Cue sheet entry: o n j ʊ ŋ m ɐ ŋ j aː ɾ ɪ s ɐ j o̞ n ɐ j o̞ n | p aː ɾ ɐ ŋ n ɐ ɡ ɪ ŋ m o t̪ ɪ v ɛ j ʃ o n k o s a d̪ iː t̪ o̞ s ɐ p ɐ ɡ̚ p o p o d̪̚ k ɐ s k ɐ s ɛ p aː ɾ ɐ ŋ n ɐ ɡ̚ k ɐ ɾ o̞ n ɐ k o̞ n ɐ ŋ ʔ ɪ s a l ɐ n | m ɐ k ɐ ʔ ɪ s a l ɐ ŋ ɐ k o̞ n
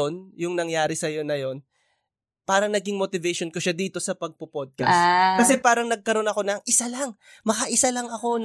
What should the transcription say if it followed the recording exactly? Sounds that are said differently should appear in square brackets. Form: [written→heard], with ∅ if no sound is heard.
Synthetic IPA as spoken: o n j ʊ ŋ [m→n] ɐ ŋ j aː ɾ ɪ s ɐ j o̞ n ɐ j o̞ n | p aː ɾ ɐ ŋ n ɐ ɡ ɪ ŋ m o t̪ ɪ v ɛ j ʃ o n k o [s→ʃ] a d̪ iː t̪ o̞ s ɐ p ɐ ɡ̚ p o p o d̪̚ k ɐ s k ɐ s ɛ p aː ɾ ɐ ŋ n ɐ ɡ̚ k ɐ ɾ o̞ n ɐ k o̞ n ɐ ŋ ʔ ɪ s a l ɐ [n→ŋ] | m ɐ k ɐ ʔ ɪ s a l ɐ ŋ ɐ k o̞ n